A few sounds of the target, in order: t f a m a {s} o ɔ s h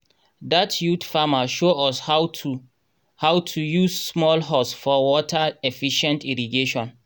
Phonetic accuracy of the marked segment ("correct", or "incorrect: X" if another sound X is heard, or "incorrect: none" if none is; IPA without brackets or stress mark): incorrect: ʃ